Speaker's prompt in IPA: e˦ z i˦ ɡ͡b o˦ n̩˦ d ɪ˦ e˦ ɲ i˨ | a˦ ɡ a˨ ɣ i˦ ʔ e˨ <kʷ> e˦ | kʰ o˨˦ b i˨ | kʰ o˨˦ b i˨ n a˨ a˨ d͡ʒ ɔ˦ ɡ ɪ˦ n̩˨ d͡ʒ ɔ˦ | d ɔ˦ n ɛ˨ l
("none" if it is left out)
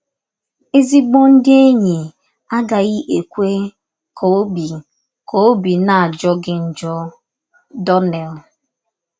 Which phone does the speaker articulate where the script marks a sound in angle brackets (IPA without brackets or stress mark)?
kʷ